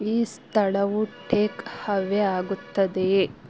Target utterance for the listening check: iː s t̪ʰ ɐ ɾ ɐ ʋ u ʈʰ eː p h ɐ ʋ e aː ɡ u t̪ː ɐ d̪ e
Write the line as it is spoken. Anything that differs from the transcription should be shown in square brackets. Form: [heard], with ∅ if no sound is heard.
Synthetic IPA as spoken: iː s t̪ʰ ɐ [ɭ] ɐ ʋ u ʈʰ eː [k] h ɐ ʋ e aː ɡ u t̪ː ɐ d̪ e